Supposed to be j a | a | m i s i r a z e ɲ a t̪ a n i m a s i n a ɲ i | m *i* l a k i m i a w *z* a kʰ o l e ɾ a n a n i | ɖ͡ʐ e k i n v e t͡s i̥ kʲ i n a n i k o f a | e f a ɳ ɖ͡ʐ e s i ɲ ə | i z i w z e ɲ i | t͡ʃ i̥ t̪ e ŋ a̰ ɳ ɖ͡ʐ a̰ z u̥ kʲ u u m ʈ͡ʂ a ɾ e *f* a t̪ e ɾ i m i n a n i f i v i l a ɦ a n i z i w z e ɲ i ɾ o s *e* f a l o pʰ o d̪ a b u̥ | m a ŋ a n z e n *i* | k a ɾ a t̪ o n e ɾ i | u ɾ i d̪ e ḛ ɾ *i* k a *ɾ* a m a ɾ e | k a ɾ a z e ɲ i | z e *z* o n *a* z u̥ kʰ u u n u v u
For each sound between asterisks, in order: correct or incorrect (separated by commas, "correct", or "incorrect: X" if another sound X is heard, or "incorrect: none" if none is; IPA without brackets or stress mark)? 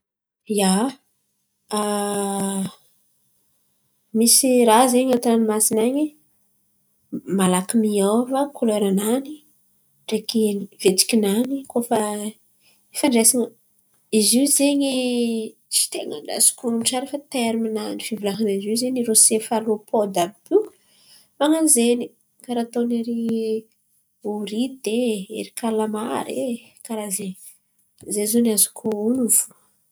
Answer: incorrect: a, incorrect: v, correct, correct, correct, correct, incorrect: l, correct, correct